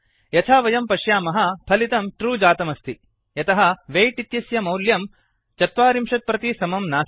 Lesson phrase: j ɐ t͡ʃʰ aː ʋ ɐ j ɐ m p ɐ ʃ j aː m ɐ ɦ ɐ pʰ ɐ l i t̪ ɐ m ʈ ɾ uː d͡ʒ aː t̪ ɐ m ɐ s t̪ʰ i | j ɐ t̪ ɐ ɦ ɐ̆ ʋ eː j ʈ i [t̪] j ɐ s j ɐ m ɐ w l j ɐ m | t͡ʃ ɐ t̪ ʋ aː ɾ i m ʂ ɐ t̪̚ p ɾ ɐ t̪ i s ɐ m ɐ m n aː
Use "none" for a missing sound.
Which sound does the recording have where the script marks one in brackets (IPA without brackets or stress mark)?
t̪